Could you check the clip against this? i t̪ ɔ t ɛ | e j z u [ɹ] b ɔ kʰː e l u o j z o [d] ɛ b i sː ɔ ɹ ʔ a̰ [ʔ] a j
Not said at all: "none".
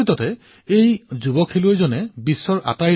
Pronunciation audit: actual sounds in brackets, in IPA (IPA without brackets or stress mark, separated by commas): none, n, t